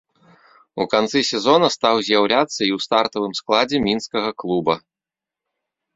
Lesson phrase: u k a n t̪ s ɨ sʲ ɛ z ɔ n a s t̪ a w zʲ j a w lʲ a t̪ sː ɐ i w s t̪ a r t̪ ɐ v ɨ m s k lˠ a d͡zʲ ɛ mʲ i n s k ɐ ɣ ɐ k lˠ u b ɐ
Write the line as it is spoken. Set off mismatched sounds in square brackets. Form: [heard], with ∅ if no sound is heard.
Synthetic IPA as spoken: u k a n t̪ s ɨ sʲ ɛ z ɔ n [ɐ] s t̪ a w zʲ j a w lʲ a t̪ sː ɐ i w s t̪ a r t̪ ɐ v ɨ m s k lˠ a d͡zʲ ɛ mʲ i n s k ɐ ɣ ɐ k lˠ u b ɐ